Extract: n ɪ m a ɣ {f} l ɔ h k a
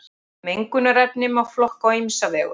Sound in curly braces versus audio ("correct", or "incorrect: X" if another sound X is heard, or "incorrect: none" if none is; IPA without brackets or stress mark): correct